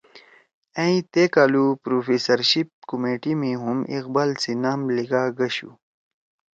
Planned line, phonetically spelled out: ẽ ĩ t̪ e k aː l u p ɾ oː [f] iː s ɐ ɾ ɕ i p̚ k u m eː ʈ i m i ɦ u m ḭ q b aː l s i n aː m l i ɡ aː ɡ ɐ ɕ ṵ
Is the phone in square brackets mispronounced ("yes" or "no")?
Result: no